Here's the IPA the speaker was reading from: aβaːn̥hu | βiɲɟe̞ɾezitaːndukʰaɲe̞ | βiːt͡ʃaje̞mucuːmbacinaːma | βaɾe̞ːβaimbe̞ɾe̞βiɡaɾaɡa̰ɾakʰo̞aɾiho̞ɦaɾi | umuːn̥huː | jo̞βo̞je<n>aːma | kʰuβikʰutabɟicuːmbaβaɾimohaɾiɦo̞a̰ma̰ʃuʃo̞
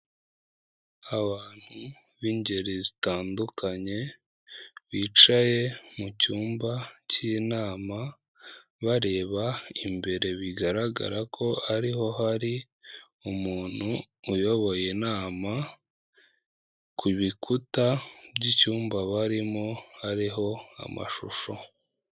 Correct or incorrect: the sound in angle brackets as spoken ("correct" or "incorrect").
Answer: correct